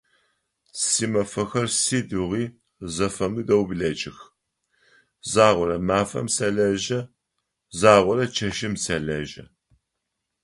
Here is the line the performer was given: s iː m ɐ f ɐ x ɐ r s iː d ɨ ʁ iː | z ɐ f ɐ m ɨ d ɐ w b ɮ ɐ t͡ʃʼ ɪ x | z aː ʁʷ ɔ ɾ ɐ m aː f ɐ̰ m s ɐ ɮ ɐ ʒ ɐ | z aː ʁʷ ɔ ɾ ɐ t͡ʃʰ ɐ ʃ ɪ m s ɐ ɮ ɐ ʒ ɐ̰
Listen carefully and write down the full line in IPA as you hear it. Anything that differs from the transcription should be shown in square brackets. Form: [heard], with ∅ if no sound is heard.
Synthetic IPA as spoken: s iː m ɐ f ɐ x ɐ r s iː d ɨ ʁ iː | z ɐ f ɐ m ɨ d ɐ w b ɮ ɐ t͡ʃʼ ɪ x | z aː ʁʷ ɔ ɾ ɐ m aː f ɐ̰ m s ɐ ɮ ɐ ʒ ɐ | z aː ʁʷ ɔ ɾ ɐ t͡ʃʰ ɐ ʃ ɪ m s ɐ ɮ ɐ ʒ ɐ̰